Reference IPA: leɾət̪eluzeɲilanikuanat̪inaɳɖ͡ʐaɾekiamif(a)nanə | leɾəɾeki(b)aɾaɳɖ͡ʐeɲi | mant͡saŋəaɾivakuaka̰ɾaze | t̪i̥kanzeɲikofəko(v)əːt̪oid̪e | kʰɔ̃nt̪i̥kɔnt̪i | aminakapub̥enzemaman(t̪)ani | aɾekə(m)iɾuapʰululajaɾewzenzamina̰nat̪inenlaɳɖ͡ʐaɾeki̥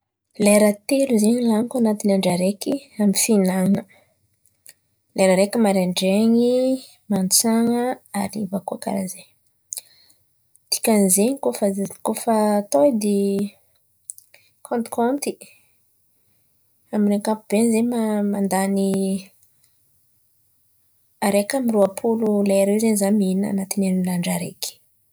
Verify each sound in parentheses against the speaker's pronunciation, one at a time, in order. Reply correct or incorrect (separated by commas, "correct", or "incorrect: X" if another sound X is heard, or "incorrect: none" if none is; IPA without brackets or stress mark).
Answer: incorrect: i, incorrect: m, incorrect: f, incorrect: d̪, correct